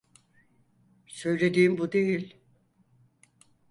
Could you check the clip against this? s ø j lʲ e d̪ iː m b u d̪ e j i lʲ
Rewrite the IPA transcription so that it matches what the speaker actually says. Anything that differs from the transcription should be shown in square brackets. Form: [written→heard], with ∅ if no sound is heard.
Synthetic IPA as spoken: s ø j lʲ e d̪ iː m b u d̪ e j i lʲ

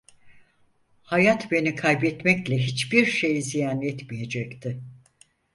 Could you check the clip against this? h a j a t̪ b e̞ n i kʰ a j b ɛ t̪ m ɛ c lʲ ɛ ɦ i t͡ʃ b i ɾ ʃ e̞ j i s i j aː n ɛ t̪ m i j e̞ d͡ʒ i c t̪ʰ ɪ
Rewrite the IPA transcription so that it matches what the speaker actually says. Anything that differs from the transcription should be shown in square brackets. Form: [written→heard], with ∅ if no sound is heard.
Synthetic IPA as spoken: h a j a t̪ b e̞ n i kʰ a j b ɛ t̪ m ɛ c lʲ ɛ ɦ i t͡ʃ b i ɾ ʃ e̞ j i [s→z] i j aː n ɛ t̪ m i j e̞ d͡ʒ [i→ɛ] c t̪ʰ ɪ

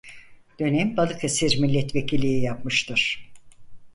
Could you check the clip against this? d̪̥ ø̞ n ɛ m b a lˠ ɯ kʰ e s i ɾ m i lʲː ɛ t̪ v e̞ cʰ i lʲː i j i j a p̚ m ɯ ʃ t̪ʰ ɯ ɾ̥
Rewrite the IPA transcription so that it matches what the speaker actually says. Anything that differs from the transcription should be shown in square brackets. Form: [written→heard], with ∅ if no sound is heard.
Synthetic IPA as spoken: d̪̥ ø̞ n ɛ m b a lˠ ɯ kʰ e s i ɾ m i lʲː ɛ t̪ v e̞ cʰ i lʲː i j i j a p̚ m ɯ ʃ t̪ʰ ɯ ɾ̥

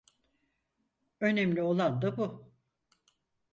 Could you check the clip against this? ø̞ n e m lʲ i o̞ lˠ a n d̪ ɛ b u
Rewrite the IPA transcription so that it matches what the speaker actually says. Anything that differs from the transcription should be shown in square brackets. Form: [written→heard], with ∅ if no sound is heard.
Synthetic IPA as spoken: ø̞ n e m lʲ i o̞ lˠ a n d̪ [ɛ→a] b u

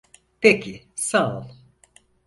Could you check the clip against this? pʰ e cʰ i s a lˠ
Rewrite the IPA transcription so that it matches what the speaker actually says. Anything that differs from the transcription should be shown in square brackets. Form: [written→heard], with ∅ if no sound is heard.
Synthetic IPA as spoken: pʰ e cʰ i s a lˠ

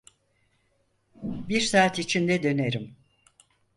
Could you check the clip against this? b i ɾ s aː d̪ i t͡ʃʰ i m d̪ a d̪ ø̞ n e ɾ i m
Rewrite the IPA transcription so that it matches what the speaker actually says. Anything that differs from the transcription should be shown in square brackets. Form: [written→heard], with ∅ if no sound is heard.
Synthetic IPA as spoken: b i ɾ s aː [d̪→t̪] i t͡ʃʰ i [m→n] d̪ [a→ɛ] d̪ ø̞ n e ɾ i m

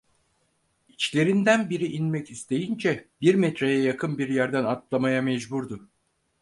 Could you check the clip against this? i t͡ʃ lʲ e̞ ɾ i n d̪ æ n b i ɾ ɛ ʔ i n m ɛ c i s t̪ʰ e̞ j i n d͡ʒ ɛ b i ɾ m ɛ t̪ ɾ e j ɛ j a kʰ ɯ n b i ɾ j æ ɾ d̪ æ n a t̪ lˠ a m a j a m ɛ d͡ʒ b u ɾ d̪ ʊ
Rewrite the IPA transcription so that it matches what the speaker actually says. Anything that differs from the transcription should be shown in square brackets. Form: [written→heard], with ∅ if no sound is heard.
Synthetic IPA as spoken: i t͡ʃ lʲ e̞ ɾ i n d̪ æ n b i ɾ [ɛ→i] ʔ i n m ɛ c i s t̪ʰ e̞ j i n d͡ʒ ɛ b i ɾ m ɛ t̪ ɾ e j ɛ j a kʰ ɯ n b i ɾ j æ ɾ d̪ æ n a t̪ lˠ a m a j a m ɛ d͡ʒ b u ɾ d̪ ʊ

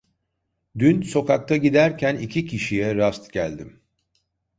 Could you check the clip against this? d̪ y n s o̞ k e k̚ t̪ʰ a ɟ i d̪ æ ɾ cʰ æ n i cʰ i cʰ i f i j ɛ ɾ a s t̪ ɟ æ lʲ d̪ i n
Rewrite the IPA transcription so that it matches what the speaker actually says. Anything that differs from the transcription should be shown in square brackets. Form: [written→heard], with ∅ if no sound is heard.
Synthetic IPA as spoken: d̪ y n s o̞ k [e→a] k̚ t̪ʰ a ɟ i d̪ æ ɾ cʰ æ n i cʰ i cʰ i [f→ʃ] i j ɛ ɾ a s t̪ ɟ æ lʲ d̪ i [n→m]

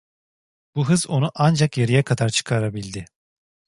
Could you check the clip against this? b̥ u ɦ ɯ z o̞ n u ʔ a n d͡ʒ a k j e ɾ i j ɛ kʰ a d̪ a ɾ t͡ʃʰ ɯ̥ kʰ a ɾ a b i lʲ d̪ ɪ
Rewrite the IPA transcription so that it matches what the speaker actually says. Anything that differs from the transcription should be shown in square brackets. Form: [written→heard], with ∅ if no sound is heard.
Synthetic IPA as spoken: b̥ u ɦ ɯ z o̞ n u ʔ a n d͡ʒ a k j e ɾ i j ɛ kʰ a d̪ a ɾ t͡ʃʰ ɯ̥ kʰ a ɾ a b i lʲ d̪ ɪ

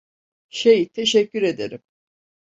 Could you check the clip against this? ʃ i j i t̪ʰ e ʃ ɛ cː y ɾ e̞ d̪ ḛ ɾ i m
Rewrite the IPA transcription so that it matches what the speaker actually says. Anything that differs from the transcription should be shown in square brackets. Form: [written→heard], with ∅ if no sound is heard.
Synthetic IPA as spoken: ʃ [i→e] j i t̪ʰ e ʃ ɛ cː y ɾ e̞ d̪ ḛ ɾ i m

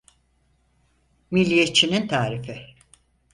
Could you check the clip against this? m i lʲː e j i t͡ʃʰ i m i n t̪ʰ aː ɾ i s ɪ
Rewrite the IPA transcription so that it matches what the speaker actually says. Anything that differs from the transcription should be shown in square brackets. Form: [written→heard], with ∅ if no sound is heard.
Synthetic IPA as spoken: m i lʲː [e→i] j [i→e] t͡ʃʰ i [m→n] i n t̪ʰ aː ɾ i [s→f] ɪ

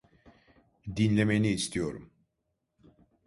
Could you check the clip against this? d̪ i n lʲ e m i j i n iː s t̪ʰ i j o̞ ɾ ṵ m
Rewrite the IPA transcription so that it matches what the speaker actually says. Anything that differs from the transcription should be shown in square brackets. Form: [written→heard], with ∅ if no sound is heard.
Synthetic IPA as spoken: d̪ i n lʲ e m [i→e] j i n iː s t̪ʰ i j o̞ ɾ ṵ m

